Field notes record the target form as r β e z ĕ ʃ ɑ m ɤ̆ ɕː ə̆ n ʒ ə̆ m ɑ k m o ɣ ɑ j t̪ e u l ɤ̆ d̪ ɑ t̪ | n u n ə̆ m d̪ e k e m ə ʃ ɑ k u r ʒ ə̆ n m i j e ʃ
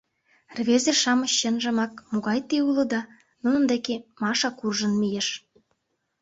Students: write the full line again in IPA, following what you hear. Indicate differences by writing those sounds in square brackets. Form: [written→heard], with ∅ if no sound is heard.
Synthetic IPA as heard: r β e z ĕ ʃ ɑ m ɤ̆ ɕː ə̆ n ʒ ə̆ m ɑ k m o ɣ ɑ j t̪ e u l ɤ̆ d̪ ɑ [t̪→∅] | n u n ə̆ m d̪ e k e m [ə→ɑ] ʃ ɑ k u r ʒ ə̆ n m i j e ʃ